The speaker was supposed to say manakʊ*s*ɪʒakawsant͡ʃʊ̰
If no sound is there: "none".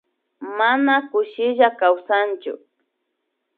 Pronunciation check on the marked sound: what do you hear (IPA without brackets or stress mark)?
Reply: ʃ